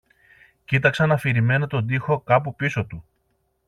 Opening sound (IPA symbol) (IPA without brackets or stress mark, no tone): c